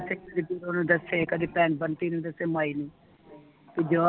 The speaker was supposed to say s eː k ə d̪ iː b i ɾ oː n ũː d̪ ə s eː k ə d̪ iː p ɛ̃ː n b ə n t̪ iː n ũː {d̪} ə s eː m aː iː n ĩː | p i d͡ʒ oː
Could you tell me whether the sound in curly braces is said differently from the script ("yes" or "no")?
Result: no